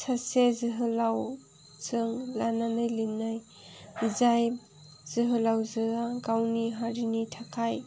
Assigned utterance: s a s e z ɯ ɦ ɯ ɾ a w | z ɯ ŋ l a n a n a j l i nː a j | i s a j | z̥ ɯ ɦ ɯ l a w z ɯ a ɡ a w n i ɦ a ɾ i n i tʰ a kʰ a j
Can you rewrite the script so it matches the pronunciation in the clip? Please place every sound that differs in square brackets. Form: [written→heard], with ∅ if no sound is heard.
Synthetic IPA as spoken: s a s e z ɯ ɦ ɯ [ɾ→l] a w | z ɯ ŋ l a n a n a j l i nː a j | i [s→z] a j | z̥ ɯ ɦ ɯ l a w z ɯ a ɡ a w n i ɦ a ɾ i n i tʰ a kʰ a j